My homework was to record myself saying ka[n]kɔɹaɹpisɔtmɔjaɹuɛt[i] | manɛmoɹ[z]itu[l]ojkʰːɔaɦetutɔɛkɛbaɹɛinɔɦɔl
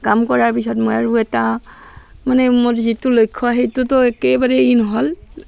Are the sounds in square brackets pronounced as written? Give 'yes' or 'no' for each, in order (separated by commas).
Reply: no, no, yes, yes